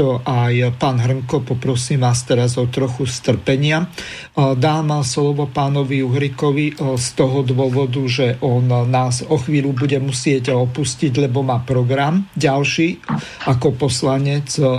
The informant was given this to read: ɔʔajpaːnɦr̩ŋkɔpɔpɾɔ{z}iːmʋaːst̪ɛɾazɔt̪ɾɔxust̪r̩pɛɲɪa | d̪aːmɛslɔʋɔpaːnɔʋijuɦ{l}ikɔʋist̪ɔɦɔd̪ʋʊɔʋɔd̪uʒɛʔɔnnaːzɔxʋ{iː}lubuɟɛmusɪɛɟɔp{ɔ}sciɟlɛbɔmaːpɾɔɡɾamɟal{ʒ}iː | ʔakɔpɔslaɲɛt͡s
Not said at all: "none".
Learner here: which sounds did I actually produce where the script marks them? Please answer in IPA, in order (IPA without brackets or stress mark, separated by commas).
s, ɾ, iː, u, ʃ